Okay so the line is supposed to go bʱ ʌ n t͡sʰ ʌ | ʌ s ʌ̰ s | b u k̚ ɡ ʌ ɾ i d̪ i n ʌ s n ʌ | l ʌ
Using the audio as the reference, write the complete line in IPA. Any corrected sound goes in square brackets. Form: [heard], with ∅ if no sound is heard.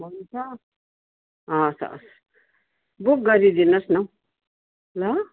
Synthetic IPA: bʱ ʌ n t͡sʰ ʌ | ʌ s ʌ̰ s | b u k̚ ɡ ʌ ɾ i d̪ i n ʌ s n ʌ | l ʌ